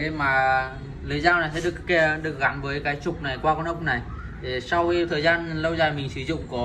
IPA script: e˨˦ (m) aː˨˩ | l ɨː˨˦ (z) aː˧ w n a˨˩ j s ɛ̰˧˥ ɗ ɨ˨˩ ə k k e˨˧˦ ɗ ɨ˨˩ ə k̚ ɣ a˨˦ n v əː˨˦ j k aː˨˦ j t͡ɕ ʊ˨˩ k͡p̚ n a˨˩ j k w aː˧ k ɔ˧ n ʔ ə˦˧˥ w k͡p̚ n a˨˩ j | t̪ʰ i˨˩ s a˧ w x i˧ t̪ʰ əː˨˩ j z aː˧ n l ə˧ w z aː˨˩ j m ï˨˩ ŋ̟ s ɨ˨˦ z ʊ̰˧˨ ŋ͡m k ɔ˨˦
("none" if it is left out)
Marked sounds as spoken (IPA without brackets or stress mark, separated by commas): m, z